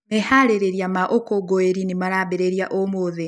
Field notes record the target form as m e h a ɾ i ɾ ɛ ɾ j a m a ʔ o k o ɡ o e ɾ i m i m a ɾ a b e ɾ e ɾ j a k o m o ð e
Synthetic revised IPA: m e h a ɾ e ɾ e ɾ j a m a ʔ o k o ɡ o e ɾ i n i m a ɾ a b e ɾ e ɾ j a ʔ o m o ð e